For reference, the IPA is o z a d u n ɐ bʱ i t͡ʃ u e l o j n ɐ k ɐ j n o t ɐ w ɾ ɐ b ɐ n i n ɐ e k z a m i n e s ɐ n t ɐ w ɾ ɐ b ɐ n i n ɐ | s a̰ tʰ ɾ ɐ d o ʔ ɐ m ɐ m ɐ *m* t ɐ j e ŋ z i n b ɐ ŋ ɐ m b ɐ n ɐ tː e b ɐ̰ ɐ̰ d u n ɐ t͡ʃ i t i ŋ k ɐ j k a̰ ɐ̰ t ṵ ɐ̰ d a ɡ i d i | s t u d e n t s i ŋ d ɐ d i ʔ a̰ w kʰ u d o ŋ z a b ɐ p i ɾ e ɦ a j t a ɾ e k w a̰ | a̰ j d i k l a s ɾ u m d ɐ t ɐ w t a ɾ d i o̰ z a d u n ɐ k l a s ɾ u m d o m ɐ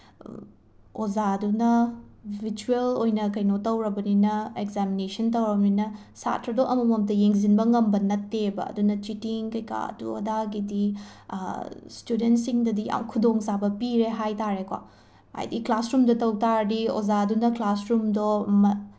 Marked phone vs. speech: correct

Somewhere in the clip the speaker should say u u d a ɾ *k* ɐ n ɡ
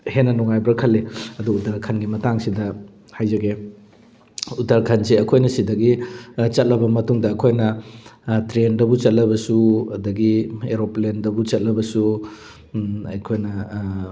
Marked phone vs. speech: incorrect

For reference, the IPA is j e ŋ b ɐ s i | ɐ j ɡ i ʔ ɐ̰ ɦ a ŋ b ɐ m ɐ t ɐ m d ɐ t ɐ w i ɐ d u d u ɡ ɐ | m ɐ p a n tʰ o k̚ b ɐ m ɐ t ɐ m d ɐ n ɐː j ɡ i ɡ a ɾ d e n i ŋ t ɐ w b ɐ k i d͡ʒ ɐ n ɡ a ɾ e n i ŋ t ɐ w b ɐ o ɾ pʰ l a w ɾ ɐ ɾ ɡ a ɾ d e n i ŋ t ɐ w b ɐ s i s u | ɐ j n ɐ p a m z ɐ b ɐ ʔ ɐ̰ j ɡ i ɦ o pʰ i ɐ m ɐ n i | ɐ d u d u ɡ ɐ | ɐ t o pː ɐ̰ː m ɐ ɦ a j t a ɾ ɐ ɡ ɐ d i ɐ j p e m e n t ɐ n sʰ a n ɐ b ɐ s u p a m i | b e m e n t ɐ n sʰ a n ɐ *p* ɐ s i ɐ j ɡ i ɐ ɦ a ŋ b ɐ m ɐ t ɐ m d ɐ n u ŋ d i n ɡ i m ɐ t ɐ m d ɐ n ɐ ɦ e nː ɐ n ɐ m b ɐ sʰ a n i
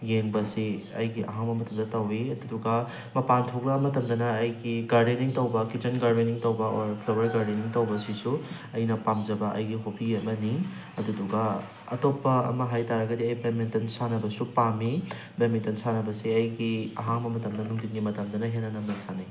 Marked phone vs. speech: incorrect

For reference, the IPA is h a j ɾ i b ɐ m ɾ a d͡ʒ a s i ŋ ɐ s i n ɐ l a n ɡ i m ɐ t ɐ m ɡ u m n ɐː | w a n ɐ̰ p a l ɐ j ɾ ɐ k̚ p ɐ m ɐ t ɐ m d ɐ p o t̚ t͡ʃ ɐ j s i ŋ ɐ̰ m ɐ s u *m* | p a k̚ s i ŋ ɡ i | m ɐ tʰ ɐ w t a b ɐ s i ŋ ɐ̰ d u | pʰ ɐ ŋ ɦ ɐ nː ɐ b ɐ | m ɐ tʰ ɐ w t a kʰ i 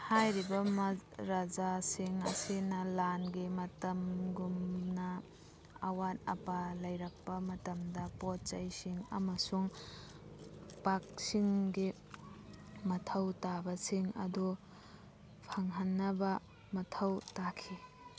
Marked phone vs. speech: incorrect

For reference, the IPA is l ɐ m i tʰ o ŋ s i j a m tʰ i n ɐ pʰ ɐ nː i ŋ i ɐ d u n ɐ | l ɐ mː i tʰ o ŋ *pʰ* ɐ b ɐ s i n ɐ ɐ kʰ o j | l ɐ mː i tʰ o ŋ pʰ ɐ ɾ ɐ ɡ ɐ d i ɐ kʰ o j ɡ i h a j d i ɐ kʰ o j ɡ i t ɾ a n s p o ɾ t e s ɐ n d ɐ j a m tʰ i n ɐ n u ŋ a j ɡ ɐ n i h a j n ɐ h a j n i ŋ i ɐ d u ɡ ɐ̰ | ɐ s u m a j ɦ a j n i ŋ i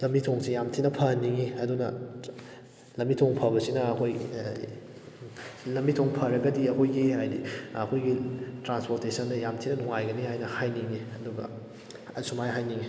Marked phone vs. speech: correct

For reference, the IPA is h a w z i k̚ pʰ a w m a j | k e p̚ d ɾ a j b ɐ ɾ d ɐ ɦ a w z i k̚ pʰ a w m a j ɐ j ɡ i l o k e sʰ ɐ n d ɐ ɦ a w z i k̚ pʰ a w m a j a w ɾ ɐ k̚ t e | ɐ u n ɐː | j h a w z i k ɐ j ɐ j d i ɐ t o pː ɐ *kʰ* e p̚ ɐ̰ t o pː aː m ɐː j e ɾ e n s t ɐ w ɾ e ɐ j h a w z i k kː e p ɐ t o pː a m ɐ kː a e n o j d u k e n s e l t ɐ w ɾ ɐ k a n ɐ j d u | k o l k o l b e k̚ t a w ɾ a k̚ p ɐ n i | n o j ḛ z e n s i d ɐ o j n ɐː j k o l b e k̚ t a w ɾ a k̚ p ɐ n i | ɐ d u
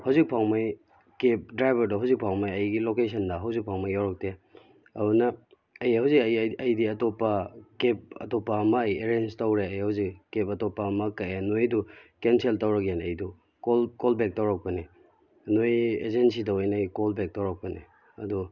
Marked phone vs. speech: incorrect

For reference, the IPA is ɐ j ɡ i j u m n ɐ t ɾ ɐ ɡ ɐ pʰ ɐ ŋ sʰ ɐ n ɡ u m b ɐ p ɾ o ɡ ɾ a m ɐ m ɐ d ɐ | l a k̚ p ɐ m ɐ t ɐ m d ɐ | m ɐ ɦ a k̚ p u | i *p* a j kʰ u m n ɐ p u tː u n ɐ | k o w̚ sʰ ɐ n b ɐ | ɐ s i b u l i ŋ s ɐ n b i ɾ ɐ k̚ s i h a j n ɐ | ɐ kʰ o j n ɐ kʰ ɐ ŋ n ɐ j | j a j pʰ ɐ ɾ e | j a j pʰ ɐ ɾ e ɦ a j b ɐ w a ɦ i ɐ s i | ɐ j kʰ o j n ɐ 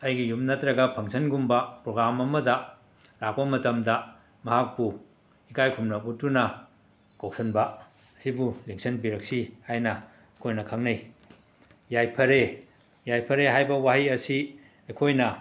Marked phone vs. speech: incorrect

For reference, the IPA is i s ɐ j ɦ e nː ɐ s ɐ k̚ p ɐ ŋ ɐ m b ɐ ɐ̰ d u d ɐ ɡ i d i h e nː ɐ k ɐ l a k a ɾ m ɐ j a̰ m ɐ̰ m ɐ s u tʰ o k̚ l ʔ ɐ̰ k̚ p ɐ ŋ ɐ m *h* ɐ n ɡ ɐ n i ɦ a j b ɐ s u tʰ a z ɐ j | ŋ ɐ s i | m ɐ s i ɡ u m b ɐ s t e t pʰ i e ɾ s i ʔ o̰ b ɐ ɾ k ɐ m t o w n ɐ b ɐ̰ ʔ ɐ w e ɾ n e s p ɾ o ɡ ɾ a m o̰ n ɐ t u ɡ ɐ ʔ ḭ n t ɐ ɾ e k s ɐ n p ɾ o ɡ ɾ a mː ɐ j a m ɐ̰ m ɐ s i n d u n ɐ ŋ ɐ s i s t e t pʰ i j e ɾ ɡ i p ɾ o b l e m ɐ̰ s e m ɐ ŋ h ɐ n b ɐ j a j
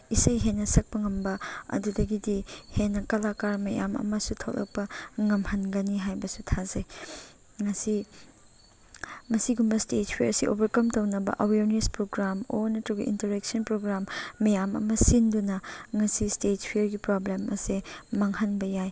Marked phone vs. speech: correct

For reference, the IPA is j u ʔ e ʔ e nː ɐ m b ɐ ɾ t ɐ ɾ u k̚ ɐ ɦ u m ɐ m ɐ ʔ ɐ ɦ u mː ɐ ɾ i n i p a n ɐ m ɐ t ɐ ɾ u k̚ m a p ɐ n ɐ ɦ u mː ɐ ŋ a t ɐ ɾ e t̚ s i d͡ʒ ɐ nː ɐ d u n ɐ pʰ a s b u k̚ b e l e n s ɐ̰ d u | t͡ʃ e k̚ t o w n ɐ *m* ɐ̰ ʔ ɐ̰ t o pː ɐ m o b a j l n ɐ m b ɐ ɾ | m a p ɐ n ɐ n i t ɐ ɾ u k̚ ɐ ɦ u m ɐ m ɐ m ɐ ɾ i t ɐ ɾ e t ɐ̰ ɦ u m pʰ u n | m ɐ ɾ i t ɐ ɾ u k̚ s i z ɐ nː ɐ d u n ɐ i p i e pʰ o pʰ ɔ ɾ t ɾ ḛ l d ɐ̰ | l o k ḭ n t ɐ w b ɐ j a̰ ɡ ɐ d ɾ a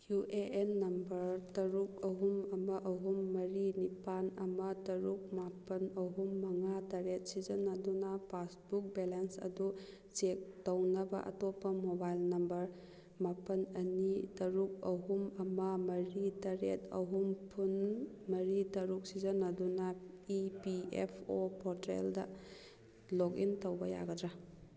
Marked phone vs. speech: incorrect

